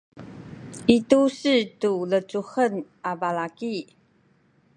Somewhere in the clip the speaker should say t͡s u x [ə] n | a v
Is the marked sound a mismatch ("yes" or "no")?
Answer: no